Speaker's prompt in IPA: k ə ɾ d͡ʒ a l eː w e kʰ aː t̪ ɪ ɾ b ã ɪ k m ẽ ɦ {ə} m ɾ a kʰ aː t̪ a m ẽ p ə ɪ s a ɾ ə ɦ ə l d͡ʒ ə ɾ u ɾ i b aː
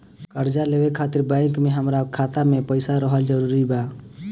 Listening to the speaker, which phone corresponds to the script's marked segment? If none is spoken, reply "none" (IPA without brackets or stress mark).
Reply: ə